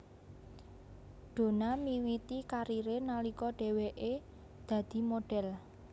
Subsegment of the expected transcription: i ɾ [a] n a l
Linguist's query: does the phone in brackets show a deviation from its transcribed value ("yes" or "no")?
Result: yes